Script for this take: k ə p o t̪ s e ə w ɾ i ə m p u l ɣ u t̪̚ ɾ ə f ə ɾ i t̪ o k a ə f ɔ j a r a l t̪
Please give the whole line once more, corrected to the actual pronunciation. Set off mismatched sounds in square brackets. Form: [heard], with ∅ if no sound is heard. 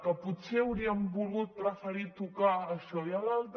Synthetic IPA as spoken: k ə p [u] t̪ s e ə w ɾ i ə m [b] u l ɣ u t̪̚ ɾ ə f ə ɾ i t̪ [u] k a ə [ʃ] ɔ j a [l] a l t̪